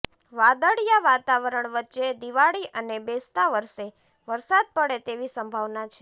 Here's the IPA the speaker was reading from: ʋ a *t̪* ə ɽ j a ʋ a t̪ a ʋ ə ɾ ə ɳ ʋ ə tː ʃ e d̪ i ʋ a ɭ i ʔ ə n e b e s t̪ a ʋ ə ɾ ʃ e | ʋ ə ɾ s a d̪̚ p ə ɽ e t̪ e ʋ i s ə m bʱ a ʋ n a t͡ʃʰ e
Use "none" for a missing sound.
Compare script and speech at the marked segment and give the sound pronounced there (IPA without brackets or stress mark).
d̪